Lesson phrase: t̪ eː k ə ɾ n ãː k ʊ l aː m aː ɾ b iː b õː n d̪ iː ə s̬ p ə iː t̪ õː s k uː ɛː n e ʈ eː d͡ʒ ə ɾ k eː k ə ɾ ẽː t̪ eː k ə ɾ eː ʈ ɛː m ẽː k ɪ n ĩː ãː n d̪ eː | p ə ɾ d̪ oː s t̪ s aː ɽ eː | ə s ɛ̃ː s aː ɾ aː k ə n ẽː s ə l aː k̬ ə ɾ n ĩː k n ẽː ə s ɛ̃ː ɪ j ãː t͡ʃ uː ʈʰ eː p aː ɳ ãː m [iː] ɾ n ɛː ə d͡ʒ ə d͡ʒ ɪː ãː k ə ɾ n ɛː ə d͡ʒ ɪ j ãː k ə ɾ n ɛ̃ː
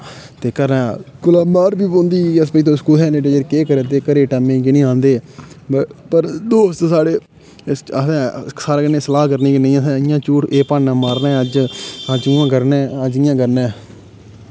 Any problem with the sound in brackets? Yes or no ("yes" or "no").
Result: yes